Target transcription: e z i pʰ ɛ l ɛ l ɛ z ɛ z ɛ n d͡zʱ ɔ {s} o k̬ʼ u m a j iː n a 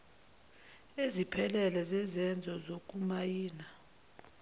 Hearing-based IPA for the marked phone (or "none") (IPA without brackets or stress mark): z